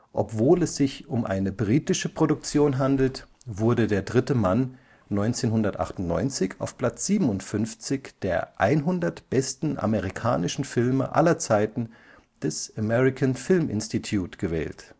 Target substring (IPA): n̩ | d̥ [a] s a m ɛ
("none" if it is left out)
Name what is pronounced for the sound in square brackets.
ɛ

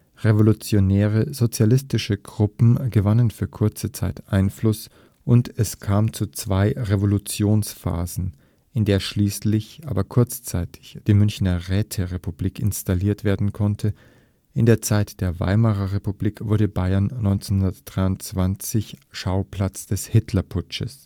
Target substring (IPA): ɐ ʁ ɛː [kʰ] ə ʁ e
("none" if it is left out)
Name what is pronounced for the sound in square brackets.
tʰ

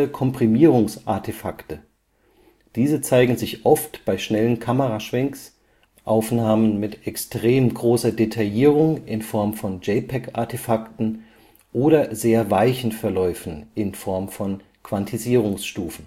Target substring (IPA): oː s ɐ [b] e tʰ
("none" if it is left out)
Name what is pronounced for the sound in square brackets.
d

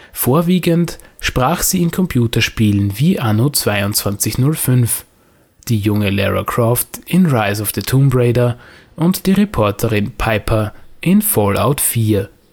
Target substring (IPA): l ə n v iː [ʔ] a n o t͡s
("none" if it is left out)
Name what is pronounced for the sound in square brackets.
ʔ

